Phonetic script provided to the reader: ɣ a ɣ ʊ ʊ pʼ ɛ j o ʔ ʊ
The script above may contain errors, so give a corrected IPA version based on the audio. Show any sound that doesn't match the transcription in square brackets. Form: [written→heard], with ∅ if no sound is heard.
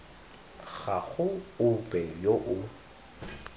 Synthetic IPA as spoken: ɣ a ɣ ʊ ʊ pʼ ɛ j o ʔ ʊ